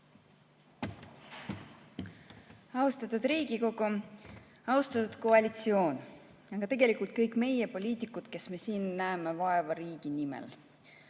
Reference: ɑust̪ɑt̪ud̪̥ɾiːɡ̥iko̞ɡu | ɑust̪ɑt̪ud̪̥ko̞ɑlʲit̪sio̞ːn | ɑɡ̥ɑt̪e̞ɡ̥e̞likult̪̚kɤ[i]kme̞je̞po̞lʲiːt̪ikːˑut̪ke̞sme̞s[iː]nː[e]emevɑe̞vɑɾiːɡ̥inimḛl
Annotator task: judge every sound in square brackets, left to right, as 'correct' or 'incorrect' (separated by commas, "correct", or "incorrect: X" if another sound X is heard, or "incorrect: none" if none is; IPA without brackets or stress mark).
incorrect: j, correct, incorrect: æ